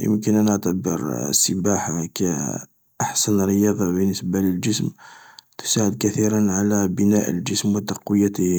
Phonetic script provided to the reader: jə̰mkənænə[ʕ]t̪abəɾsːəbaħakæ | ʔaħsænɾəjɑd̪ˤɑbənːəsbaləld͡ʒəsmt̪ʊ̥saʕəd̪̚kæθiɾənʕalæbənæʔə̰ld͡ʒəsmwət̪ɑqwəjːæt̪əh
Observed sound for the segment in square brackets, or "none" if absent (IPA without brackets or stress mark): ʕ